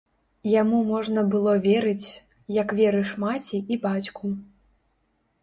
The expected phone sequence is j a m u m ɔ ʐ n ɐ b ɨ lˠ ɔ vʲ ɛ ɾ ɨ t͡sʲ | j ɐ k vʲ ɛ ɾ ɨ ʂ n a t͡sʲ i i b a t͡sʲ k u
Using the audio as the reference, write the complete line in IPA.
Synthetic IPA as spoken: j a m u m ɔ ʐ n ɐ b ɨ lˠ ɔ vʲ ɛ ɾ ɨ t͡sʲ | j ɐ k vʲ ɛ ɾ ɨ ʂ m a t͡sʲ i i b a t͡sʲ k u